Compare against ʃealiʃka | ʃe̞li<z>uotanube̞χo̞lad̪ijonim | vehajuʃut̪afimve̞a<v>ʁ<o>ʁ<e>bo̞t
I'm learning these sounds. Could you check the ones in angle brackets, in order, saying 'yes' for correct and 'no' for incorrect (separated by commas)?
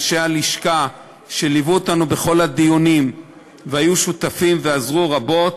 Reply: no, no, no, no